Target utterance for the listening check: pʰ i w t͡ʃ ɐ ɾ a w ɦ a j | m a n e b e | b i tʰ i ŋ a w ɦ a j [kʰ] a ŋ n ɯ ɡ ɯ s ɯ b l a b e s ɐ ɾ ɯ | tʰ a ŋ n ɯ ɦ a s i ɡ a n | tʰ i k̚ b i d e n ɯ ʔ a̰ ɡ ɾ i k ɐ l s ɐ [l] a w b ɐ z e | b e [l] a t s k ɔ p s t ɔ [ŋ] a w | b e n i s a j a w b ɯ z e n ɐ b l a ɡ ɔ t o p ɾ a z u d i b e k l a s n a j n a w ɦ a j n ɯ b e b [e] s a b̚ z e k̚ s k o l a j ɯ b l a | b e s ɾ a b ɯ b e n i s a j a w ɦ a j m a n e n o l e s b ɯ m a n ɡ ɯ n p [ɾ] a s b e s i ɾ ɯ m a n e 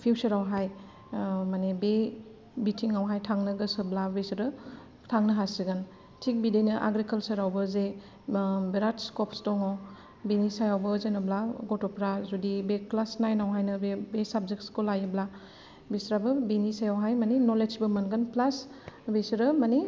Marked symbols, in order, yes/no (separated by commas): no, no, no, yes, yes, no